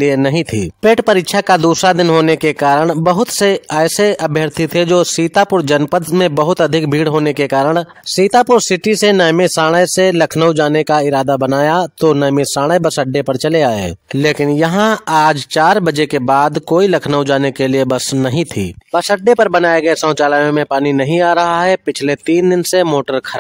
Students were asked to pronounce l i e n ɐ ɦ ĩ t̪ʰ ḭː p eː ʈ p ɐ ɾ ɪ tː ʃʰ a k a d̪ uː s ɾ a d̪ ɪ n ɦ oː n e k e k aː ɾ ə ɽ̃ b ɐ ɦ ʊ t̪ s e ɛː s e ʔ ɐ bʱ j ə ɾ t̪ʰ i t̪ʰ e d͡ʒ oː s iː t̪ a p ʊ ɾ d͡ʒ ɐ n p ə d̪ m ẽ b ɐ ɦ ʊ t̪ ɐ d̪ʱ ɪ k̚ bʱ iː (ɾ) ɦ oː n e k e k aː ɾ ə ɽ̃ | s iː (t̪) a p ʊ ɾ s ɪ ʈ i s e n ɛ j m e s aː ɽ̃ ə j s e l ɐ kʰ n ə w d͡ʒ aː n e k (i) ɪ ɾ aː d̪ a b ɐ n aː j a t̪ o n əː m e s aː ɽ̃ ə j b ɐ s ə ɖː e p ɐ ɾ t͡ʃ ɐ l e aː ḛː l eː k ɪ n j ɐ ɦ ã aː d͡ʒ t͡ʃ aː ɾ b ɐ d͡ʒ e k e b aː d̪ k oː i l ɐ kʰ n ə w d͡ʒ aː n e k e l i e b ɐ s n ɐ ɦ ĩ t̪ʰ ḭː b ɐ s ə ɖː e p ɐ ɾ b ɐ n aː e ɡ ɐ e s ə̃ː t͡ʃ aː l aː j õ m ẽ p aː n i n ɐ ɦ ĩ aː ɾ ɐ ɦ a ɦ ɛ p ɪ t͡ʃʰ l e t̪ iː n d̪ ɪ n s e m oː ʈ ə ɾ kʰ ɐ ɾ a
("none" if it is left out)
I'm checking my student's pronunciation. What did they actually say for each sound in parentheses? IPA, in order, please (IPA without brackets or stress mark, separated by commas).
ɽ, t̪, a